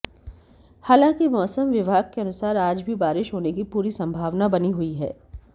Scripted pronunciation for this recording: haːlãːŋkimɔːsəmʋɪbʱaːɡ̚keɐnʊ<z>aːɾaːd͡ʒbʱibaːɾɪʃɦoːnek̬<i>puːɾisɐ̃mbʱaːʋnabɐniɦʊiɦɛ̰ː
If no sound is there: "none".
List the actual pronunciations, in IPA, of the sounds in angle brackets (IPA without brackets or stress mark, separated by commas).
s, i